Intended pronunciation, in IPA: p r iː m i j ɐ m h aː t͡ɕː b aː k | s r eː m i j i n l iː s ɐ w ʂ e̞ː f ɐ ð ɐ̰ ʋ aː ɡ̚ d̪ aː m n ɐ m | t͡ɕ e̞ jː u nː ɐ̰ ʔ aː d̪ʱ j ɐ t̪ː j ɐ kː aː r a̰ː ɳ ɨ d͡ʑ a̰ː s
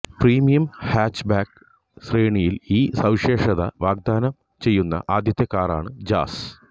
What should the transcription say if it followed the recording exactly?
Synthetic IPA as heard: p r iː m i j ɐ m h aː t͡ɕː b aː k | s r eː ɳ i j i l iː s ɐ w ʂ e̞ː ʂ ɐ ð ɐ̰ ʋ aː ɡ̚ d̪ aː n ɐ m | t͡ɕ e̞ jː u nː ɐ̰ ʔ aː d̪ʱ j ɐ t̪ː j ɐ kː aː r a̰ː ɳ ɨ d͡ʑ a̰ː s